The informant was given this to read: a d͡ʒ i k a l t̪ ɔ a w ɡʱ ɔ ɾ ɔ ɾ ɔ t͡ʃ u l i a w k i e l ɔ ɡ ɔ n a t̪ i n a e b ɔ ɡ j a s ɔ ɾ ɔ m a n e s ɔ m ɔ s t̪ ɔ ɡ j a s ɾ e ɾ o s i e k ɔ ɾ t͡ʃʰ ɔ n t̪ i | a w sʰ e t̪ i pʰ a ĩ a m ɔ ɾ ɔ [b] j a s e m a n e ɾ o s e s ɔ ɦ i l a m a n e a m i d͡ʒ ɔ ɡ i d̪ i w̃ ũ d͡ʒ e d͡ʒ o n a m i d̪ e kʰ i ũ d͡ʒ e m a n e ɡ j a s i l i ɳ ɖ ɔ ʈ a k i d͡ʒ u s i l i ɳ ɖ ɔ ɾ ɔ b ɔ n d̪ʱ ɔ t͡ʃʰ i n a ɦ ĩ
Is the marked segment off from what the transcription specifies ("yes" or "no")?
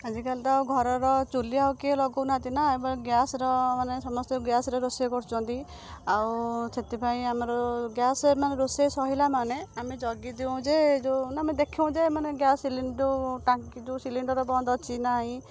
yes